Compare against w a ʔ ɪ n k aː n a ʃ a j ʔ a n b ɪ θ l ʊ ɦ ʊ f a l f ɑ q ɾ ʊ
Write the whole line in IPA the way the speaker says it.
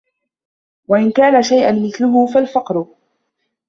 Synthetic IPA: w a ʔ ɪ n k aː n a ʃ a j ʔ a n m ɪ θ l ʊ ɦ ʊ f a l f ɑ q ɾ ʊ